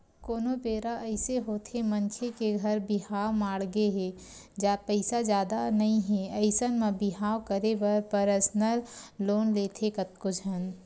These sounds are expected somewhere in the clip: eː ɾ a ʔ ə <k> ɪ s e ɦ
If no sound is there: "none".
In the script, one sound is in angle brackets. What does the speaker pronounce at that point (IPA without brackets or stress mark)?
none